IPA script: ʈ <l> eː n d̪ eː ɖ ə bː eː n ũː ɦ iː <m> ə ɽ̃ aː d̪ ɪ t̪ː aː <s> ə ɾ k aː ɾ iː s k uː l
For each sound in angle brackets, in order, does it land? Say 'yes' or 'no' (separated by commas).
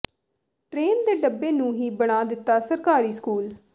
no, no, yes